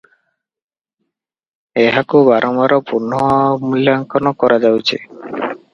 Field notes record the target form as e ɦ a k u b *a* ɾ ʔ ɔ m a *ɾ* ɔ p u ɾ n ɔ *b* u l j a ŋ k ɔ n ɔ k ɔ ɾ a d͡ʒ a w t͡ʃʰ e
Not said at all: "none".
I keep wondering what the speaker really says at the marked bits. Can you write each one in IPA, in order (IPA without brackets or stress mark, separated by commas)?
a, ɾ, m